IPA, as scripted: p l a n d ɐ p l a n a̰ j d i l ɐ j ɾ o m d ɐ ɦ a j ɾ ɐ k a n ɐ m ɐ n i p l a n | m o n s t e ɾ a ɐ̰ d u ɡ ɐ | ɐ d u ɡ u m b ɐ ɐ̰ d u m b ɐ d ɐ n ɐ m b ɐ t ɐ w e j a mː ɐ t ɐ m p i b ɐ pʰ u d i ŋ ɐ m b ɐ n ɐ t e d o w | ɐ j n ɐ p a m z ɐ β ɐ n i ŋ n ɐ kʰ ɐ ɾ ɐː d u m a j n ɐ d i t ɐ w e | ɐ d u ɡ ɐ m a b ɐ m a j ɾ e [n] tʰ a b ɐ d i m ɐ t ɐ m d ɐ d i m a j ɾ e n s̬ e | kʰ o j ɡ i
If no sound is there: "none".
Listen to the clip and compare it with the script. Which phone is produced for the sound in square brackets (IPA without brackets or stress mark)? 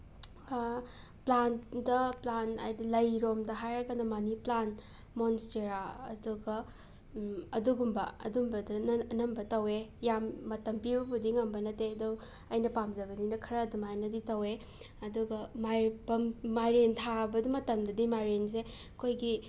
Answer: n